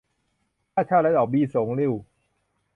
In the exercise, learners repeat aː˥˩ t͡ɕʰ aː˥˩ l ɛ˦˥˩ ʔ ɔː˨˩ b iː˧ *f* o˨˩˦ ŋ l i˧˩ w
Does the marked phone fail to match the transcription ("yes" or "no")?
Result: yes